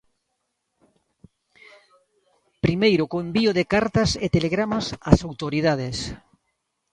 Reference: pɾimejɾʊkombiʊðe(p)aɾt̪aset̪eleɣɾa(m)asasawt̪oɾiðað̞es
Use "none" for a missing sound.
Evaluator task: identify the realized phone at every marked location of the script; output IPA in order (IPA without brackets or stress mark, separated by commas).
k, m